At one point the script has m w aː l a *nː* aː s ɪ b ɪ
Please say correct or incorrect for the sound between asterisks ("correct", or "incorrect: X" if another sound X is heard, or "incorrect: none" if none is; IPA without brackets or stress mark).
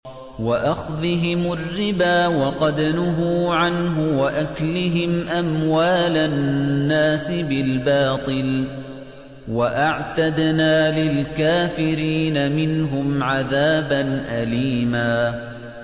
correct